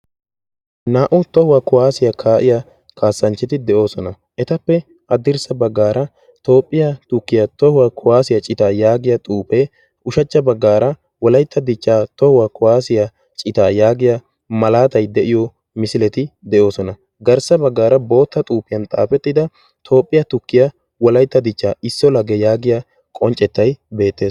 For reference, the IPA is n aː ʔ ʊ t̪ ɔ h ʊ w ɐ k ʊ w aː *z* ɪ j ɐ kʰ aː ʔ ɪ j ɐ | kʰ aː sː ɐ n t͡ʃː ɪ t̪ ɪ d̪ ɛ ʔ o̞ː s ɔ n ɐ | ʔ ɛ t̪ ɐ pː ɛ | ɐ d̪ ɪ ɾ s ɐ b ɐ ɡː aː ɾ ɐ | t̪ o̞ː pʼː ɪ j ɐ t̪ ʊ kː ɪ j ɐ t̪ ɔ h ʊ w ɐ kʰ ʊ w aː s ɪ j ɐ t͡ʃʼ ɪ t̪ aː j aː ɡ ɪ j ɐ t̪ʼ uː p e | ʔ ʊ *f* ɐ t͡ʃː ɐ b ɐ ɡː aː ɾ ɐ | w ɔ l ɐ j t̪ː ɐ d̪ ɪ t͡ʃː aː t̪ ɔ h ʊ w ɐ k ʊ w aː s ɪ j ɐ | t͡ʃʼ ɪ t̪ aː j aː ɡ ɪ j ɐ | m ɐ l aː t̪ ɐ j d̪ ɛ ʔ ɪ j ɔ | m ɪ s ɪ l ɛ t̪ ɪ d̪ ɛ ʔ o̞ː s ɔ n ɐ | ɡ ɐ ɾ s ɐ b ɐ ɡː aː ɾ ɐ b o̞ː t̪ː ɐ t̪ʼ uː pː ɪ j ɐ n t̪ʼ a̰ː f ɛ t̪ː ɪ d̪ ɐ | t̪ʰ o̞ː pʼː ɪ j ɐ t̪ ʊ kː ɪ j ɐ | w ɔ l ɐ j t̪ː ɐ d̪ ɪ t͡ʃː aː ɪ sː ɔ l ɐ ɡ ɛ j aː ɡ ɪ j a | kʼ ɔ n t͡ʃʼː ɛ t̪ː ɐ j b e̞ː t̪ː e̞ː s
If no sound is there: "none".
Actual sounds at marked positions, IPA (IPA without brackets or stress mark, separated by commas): s, ʃ